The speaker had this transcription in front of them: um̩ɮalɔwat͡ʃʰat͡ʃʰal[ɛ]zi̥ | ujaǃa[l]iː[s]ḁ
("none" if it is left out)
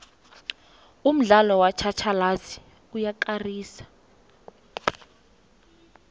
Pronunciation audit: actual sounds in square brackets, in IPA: a, r, s

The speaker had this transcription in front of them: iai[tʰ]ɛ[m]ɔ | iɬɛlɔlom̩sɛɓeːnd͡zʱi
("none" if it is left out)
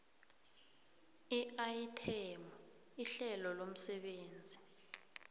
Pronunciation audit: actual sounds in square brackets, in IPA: tʰ, m

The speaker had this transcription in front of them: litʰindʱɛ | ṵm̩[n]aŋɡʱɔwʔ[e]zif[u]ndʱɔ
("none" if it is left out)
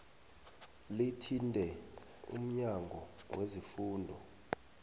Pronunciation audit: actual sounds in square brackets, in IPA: ɲ, e, uː

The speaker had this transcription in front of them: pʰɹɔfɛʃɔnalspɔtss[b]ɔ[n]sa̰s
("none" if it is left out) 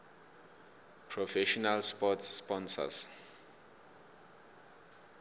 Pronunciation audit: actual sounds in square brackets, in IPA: p, n

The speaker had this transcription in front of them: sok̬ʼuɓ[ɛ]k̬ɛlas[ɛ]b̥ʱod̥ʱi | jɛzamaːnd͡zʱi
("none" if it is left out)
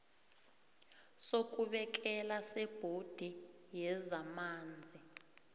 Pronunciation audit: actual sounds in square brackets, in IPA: ɛ, ɛ

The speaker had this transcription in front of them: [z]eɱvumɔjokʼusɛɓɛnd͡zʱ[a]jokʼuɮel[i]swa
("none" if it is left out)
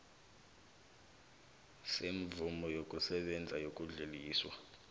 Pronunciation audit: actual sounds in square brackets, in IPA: s, a, iː

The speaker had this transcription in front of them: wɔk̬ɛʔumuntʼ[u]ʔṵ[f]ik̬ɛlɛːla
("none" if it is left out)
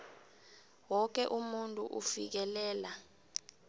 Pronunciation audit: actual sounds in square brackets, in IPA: u, f

